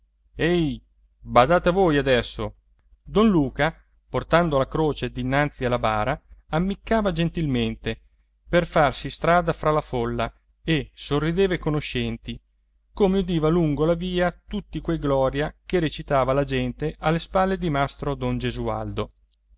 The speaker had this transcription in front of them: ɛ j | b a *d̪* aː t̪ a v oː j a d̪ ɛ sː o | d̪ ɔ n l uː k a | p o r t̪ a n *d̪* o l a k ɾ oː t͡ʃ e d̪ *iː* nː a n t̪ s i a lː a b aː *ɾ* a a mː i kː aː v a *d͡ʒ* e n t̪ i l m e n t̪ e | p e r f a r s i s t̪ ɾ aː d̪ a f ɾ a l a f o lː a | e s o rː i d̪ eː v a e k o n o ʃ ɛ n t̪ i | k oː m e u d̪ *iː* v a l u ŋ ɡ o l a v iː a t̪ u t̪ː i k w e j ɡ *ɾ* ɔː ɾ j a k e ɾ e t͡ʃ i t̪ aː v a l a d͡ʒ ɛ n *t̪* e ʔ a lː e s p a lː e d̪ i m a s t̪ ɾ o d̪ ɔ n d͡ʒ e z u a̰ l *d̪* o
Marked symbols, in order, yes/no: yes, yes, no, yes, yes, yes, no, yes, yes

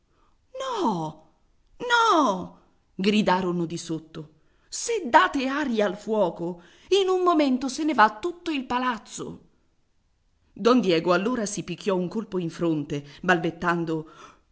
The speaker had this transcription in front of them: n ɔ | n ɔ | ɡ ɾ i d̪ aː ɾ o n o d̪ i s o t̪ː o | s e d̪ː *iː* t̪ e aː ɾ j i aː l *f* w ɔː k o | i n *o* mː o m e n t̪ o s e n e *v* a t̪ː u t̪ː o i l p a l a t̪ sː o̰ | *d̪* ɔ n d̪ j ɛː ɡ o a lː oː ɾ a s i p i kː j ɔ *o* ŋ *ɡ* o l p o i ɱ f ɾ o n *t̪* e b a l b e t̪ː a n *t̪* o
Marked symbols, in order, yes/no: no, yes, no, yes, yes, no, no, yes, no

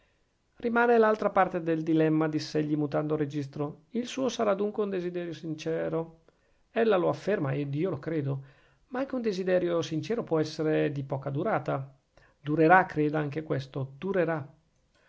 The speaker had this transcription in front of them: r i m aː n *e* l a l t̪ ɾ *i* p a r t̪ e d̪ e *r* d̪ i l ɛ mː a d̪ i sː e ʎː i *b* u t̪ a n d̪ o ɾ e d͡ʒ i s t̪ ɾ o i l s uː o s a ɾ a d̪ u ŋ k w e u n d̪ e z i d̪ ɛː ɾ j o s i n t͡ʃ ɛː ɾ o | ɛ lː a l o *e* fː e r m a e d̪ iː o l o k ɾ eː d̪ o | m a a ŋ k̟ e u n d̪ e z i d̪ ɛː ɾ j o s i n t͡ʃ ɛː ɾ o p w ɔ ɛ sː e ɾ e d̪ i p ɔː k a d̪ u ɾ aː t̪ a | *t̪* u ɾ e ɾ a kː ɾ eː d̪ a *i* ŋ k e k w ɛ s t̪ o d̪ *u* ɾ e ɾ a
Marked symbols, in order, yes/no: yes, no, no, no, no, no, no, yes

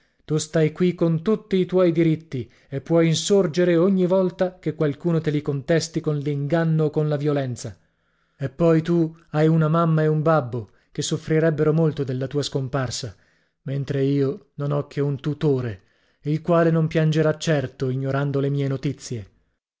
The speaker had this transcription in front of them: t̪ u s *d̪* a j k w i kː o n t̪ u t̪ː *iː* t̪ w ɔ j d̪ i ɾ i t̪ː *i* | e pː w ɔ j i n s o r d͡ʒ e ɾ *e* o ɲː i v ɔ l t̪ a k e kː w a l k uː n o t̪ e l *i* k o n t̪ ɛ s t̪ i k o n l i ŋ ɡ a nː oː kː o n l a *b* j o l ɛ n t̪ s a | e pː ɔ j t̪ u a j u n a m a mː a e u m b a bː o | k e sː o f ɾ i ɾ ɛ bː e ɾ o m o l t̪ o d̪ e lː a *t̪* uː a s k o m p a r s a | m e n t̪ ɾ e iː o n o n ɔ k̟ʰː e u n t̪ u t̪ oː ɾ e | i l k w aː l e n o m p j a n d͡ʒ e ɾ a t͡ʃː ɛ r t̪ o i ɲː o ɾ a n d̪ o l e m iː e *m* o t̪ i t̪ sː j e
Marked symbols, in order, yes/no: no, yes, yes, yes, yes, no, yes, no

